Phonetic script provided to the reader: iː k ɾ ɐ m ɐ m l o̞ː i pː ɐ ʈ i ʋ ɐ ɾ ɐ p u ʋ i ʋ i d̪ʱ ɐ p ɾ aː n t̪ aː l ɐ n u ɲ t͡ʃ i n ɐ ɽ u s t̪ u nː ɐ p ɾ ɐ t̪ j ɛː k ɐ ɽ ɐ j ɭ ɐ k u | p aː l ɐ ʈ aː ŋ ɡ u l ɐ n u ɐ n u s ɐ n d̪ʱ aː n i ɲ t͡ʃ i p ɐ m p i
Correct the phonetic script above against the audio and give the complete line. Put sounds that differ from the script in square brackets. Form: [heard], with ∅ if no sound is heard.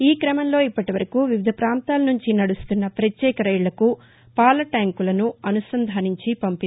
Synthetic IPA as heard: iː k ɾ ɐ m ɐ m l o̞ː i pː ɐ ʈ i ʋ ɐ ɾ ɐ [k] u ʋ i ʋ i d̪ʱ ɐ p ɾ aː n t̪ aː l ɐ n u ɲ t͡ʃ i n ɐ ɽ u s t̪ u nː ɐ p ɾ ɐ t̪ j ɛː k ɐ [ɾ] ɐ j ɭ ɐ k u | p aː l ɐ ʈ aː ŋ [k] u l ɐ n u ɐ n u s ɐ n d̪ʱ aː n i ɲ t͡ʃ i p ɐ m p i